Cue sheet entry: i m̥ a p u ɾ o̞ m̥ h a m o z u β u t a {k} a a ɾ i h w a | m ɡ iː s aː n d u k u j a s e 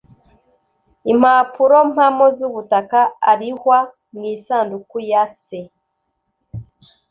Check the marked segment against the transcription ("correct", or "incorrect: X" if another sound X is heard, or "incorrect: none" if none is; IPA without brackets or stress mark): correct